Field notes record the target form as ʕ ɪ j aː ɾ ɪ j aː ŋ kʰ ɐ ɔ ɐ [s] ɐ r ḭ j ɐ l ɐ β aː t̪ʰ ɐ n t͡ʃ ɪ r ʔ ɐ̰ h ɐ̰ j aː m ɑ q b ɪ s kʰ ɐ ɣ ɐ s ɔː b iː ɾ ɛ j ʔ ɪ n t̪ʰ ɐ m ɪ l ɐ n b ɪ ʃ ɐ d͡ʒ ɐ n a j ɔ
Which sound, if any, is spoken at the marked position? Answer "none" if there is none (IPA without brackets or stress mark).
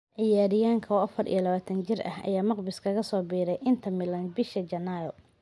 f